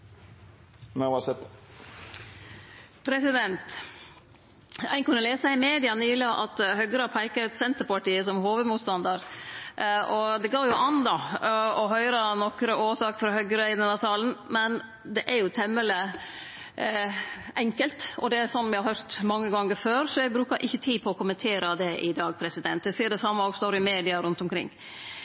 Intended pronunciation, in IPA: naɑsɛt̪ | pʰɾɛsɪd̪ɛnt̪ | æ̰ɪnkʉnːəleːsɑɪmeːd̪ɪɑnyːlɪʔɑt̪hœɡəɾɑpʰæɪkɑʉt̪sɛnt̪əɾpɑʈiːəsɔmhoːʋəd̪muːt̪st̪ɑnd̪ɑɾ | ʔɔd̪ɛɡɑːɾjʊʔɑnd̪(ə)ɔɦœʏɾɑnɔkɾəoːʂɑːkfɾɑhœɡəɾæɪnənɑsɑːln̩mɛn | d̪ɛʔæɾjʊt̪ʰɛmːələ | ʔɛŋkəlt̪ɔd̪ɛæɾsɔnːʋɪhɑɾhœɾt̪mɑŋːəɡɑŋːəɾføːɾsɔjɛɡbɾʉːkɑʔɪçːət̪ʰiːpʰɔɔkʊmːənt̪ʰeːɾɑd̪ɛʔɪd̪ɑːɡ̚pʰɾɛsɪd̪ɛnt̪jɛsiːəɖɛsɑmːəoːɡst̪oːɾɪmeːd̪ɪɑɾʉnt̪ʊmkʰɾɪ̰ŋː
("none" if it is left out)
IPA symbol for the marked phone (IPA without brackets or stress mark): ɑ